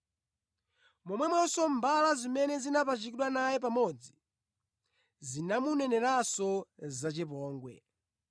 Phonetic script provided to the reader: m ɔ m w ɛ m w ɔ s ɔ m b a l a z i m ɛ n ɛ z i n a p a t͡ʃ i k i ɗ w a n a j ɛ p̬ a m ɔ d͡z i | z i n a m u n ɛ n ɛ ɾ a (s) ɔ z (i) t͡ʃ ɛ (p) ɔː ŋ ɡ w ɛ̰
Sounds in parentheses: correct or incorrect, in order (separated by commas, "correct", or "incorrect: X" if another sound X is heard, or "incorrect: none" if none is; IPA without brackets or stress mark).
correct, incorrect: a, correct